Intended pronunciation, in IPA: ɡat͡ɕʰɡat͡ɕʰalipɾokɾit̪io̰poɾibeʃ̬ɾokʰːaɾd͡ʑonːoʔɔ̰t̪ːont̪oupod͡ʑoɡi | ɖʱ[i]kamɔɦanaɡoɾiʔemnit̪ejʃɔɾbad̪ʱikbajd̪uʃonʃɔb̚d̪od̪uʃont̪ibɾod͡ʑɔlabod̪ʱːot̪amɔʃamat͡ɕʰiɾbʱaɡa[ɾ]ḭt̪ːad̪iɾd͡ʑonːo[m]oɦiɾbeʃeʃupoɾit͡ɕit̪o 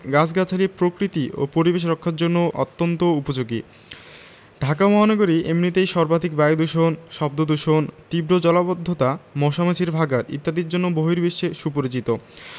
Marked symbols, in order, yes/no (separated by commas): no, yes, no